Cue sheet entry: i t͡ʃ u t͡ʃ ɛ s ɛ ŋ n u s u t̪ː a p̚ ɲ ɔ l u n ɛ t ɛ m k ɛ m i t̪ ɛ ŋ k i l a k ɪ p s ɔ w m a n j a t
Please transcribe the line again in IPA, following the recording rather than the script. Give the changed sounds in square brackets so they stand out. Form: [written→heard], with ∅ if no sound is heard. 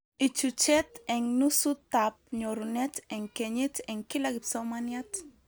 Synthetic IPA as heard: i t͡ʃ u t͡ʃ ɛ [s→t] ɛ ŋ n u s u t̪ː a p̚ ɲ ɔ [l→ɾ] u n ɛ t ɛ [m→ŋ] k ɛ [m→ɲ] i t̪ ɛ ŋ k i l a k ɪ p s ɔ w m a n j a t